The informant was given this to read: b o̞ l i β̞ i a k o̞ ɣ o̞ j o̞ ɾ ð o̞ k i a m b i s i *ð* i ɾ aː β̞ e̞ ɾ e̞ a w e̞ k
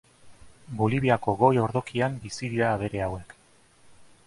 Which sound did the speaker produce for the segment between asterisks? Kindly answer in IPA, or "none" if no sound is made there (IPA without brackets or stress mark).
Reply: ð